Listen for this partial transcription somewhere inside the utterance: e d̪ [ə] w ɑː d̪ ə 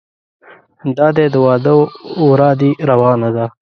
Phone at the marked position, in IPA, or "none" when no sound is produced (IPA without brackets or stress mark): ə